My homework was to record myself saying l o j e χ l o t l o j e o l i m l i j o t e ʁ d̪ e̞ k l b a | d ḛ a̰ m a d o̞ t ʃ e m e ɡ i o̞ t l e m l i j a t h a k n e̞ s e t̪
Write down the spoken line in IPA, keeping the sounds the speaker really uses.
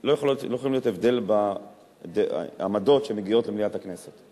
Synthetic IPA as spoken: l o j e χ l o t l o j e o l i m l i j o t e v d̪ e̞ l b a | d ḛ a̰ m a d o̞ t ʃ e m e ɡ i o̞ t l e m l i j a t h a k n e̞ s e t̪